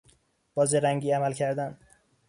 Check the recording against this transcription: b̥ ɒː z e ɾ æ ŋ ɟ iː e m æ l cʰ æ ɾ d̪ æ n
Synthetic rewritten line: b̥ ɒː z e ɾ æ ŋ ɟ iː æ m æ l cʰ æ ɾ d̪ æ n